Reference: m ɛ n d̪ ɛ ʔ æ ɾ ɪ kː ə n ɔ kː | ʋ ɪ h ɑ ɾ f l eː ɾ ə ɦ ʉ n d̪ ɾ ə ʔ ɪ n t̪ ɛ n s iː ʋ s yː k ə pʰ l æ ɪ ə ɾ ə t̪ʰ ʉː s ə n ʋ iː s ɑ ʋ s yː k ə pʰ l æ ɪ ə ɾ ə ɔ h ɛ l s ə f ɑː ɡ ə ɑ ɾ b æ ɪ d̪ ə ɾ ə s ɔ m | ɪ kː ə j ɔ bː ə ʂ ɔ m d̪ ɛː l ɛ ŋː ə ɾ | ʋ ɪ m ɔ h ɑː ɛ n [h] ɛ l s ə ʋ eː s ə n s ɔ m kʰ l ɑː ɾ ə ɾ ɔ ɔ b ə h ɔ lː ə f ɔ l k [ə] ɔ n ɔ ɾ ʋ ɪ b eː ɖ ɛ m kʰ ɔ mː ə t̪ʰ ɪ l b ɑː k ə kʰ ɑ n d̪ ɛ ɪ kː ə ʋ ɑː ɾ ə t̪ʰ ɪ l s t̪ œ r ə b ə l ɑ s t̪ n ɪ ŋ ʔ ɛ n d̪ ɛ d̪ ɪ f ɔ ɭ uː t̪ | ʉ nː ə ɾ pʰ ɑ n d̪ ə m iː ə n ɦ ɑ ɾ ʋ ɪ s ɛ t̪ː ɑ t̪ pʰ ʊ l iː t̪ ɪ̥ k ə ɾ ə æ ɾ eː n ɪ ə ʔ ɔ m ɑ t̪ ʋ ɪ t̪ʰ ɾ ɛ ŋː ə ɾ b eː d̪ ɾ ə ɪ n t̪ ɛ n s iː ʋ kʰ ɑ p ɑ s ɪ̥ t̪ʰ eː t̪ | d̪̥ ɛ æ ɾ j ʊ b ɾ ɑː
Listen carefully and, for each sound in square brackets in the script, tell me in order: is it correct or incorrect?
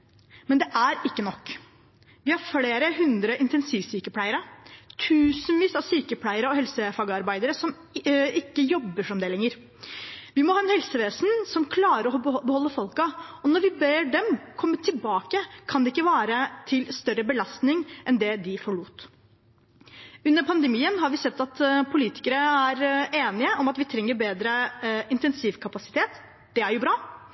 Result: correct, incorrect

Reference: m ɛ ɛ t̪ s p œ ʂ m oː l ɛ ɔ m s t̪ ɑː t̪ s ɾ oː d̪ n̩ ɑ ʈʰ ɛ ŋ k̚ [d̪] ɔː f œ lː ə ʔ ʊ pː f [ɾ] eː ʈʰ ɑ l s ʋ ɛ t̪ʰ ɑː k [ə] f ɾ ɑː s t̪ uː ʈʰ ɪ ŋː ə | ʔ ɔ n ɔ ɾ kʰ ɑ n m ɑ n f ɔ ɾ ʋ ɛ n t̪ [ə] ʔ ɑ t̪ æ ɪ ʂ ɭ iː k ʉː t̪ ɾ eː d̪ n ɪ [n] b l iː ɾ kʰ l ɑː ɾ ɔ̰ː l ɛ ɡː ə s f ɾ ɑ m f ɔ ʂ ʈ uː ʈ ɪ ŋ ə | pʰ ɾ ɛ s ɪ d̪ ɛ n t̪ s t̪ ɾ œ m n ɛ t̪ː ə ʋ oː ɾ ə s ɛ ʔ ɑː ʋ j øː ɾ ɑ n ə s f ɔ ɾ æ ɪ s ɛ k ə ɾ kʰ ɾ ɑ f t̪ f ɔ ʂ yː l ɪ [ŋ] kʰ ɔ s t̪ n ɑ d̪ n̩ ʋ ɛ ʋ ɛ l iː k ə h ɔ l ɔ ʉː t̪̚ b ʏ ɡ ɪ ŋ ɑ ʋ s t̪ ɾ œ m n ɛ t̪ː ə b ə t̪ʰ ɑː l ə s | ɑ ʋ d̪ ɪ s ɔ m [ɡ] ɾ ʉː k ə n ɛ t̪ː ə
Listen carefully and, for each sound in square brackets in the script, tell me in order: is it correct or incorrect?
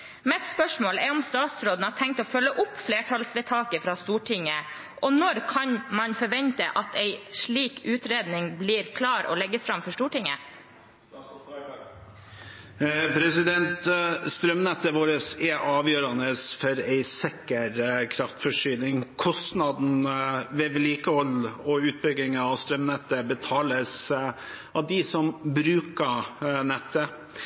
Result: incorrect, incorrect, correct, correct, incorrect, correct, incorrect

